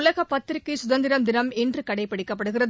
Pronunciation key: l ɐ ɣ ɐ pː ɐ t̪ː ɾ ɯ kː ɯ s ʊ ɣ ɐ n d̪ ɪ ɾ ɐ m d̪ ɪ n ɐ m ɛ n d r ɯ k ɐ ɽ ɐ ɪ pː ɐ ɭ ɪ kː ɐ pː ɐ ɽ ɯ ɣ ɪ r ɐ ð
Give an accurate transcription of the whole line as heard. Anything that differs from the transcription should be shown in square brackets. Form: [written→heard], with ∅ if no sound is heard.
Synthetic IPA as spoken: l ɐ ɣ ɐ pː ɐ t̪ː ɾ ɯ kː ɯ s ʊ [ɣ→ð] ɐ n d̪ ɪ ɾ ɐ m d̪ ɪ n ɐ m ɛ n d r ɯ k ɐ ɽ ɐ ɪ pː ɐ [ɭ→ɽ] ɪ kː ɐ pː ɐ ɽ ɯ ɣ ɪ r ɐ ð